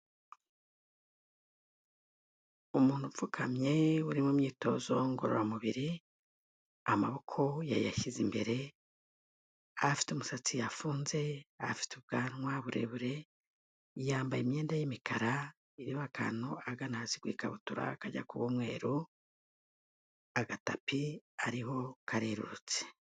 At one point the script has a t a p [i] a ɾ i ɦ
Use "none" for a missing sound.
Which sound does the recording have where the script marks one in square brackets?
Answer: i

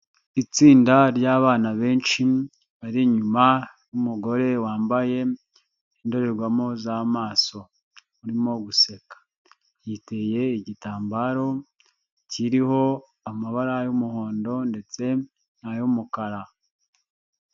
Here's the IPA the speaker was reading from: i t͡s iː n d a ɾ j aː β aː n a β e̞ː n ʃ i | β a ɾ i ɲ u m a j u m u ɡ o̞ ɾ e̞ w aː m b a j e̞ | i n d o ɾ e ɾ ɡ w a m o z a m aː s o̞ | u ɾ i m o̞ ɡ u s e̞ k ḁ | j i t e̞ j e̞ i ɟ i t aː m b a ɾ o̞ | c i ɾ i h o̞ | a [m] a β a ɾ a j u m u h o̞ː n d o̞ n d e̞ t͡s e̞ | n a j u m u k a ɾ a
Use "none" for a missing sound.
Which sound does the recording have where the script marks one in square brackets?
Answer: m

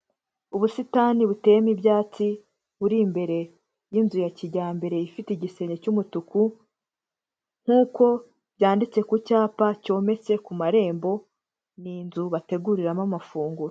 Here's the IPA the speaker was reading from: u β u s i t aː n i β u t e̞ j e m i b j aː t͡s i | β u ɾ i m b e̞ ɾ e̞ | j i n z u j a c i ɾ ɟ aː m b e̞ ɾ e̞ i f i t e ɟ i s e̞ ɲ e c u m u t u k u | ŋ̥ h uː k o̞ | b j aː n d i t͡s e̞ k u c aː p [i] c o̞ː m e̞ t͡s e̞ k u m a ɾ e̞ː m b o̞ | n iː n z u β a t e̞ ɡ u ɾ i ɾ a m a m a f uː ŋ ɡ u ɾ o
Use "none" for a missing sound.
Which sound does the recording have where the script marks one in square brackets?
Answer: a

